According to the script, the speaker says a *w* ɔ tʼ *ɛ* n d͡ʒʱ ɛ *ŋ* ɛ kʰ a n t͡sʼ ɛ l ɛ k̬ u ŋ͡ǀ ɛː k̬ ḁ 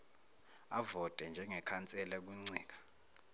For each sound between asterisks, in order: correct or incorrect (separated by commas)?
incorrect, correct, correct